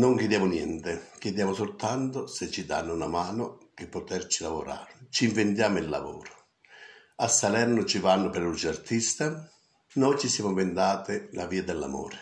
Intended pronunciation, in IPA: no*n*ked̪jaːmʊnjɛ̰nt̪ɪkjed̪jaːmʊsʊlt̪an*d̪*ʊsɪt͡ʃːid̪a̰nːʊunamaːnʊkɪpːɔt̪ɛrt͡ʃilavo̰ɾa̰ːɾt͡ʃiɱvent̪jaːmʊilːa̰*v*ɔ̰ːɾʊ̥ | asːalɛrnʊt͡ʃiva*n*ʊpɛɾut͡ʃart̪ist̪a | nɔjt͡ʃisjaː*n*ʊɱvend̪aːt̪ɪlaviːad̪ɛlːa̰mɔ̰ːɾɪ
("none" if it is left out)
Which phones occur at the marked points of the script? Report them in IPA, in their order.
ŋ, t̪, v, nː, m

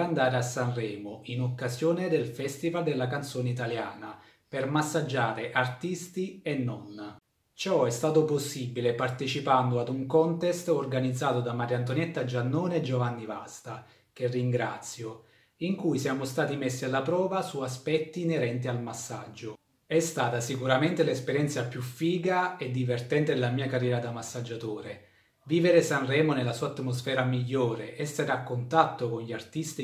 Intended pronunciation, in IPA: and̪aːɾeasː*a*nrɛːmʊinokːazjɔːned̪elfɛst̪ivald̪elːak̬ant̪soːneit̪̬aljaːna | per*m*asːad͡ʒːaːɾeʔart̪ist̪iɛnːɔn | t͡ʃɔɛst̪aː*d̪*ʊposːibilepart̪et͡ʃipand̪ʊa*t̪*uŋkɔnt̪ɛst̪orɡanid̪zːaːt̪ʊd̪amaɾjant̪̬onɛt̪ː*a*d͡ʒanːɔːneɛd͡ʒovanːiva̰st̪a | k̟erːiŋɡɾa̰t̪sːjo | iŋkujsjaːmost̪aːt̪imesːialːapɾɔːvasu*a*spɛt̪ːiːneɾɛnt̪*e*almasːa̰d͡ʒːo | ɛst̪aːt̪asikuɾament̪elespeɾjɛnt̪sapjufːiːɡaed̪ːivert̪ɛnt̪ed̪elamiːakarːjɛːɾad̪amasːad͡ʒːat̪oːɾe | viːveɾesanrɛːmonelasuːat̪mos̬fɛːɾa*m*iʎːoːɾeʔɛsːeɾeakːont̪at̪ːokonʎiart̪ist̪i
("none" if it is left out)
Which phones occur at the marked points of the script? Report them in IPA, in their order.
a, m, t̪, d̪, a, a, i, m

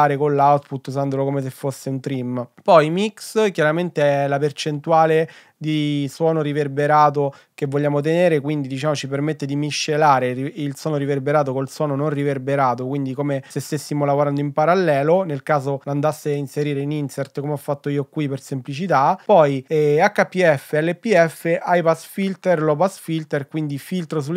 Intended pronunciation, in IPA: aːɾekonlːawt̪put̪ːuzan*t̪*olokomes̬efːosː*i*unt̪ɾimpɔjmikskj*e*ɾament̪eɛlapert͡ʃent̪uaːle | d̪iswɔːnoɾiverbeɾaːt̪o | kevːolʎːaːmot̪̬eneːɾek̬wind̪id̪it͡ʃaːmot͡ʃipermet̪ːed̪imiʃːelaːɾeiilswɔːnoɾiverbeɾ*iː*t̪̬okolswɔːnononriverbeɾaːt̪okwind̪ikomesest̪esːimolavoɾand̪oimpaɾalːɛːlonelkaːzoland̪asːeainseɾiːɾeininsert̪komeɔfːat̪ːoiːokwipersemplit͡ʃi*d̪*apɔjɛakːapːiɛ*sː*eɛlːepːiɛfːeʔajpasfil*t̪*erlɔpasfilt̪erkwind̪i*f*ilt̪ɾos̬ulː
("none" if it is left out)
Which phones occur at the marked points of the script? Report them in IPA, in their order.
d̪, e, a, aː, t̪, fː, t̪, f

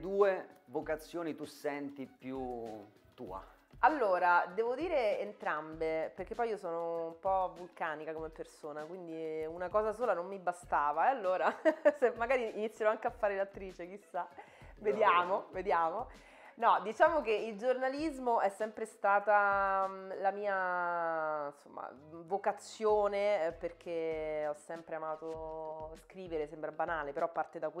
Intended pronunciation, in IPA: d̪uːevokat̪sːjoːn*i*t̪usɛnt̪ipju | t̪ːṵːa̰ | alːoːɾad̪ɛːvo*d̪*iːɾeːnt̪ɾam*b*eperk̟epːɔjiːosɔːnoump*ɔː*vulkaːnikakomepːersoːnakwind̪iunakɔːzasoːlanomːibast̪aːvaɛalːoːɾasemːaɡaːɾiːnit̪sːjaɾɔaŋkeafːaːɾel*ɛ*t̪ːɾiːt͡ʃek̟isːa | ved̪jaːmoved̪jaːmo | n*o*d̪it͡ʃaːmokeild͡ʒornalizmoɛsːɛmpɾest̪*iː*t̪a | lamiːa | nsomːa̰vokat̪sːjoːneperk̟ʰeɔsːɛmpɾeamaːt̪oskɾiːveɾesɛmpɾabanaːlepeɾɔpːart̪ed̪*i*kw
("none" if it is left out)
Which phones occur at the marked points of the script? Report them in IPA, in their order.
i, d̪, b, ɔ, a, ɔ, aː, a

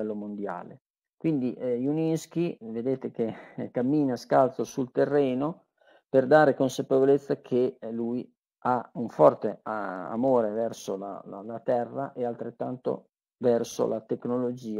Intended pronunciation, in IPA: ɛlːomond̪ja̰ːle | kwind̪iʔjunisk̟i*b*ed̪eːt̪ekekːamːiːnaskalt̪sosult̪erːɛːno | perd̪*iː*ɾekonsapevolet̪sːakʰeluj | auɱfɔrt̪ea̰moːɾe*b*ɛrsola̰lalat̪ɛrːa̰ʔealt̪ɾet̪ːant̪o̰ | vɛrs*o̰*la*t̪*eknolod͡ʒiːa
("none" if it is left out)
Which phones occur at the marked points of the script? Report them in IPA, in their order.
v, aː, v, o̰, t̪

